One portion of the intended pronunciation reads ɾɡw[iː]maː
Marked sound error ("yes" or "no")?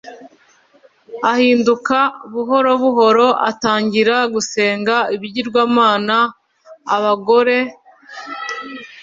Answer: yes